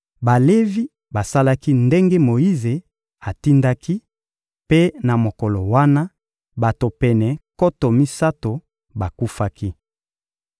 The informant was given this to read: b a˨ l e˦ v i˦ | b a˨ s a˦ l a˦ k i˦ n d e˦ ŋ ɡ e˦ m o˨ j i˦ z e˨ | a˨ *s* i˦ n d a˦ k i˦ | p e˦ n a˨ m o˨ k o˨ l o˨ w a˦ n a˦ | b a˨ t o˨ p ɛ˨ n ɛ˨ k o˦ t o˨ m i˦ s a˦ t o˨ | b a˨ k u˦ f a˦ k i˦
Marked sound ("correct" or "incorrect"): incorrect